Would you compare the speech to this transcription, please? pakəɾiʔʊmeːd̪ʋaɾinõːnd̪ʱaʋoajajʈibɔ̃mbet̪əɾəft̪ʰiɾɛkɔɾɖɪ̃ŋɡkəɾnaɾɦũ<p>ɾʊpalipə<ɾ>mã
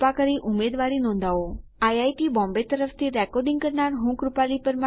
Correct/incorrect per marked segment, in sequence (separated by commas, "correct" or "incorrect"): incorrect, correct